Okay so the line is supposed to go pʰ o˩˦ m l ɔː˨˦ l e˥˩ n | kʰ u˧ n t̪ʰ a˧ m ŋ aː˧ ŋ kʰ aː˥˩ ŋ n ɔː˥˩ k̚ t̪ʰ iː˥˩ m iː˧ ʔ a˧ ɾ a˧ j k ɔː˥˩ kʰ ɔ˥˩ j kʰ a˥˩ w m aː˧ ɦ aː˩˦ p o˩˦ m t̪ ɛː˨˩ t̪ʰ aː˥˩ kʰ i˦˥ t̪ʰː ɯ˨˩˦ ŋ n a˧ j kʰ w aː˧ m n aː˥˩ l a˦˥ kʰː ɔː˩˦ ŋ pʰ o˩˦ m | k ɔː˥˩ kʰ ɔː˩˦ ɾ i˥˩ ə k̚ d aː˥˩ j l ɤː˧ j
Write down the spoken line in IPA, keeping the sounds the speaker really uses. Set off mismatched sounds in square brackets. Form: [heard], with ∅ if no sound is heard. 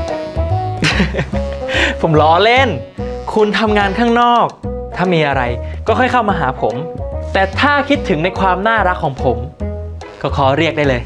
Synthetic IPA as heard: pʰ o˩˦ m l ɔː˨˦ l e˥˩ n | kʰ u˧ n t̪ʰ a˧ m ŋ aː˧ [n] kʰ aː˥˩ ŋ n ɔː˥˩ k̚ t̪ʰ [aː˥˩] m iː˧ ʔ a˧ ɾ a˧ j k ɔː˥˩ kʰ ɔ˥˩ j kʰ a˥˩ w m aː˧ ɦ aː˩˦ [pʰ] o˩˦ m t̪ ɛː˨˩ t̪ʰ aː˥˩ kʰ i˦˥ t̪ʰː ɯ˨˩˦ ŋ n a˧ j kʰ w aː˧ m n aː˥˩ [ɾ] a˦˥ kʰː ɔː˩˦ ŋ pʰ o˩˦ m | k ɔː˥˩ kʰ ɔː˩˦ ɾ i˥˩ ə k̚ d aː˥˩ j l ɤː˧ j